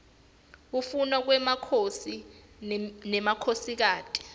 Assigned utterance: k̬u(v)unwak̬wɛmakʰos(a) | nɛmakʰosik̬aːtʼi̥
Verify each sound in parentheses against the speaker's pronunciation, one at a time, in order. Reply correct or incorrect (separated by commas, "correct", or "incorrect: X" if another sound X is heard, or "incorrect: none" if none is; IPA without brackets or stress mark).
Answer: incorrect: f, incorrect: i